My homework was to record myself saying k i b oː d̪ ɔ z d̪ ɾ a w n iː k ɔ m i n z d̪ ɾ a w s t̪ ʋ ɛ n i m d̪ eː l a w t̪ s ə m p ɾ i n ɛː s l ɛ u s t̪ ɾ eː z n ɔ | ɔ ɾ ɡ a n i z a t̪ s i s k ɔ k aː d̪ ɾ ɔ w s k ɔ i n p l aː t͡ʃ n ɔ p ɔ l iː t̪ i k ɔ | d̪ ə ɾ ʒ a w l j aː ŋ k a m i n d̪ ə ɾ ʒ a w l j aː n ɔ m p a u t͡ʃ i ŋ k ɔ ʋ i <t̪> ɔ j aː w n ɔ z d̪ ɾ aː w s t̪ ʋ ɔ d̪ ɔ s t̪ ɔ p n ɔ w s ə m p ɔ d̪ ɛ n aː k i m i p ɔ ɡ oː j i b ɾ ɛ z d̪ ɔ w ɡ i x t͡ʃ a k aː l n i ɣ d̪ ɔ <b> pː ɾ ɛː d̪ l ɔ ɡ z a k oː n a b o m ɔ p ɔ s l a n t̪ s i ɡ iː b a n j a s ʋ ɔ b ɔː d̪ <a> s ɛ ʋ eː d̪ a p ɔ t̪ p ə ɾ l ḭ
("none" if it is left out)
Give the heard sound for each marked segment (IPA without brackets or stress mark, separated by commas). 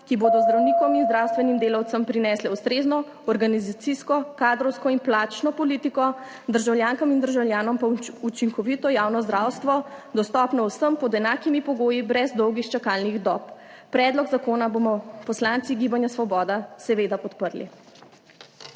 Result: t̪, p, a